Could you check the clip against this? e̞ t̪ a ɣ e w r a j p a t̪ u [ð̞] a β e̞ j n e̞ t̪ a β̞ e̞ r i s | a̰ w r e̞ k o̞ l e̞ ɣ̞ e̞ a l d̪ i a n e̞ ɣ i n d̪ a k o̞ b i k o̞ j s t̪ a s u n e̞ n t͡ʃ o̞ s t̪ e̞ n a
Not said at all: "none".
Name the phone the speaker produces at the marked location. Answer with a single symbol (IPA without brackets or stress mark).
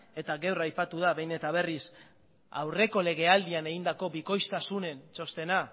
ð̞